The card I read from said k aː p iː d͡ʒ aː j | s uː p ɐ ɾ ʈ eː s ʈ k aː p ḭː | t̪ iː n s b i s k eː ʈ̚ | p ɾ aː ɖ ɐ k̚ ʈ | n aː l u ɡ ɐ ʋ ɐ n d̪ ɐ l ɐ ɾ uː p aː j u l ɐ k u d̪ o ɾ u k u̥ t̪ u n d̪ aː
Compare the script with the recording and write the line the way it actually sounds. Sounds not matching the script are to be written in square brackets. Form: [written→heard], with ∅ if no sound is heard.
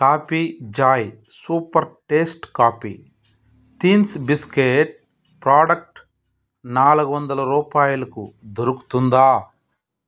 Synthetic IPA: k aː p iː d͡ʒ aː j | s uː p ɐ ɾ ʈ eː s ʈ k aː p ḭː | t̪ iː n s b i s k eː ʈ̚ | p ɾ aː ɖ ɐ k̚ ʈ | n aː l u ɡ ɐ ʋ ɐ n d̪ ɐ l ɐ ɾ uː p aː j u l ɐ k u d̪ o ɾ u k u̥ t̪ u n d̪ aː